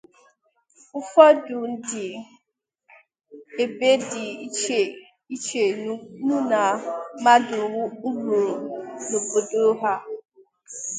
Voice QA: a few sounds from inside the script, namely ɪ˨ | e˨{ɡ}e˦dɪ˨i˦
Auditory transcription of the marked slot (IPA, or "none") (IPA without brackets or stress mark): b